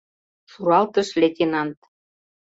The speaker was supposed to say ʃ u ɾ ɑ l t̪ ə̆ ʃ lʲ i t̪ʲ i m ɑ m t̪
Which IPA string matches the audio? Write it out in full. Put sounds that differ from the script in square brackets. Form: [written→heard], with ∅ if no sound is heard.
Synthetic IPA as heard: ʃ u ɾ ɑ l t̪ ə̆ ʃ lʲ [i→e] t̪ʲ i [m→n] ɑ [m→n] t̪